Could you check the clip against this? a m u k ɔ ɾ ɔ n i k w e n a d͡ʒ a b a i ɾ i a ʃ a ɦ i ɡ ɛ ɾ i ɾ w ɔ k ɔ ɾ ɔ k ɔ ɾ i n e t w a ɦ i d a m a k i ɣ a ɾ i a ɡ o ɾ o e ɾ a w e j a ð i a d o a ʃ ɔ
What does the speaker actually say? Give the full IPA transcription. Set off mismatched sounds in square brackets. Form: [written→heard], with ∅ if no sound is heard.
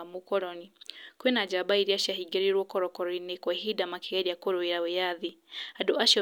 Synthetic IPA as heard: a m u k ɔ ɾ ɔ n i k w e n a d͡ʒ a b a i ɾ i a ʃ a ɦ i ɡ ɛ ɾ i ɾ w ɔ k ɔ ɾ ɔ k ɔ ɾ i n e [t→k] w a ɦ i d a m a k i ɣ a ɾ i a [ɡ→k] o ɾ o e ɾ a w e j a ð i a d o a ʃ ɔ